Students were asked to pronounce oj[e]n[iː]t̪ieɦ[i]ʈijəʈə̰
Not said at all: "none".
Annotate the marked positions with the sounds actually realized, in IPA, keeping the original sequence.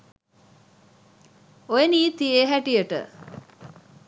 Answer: e, iː, æ

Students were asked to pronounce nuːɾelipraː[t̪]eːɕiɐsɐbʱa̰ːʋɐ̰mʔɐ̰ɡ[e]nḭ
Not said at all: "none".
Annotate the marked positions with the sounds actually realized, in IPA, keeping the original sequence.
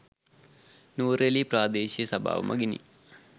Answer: d̪, i

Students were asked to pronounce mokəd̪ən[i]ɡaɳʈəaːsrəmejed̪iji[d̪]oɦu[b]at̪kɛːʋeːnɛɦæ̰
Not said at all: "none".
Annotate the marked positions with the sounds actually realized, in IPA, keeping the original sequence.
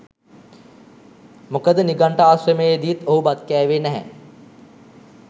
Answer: i, t̪, b

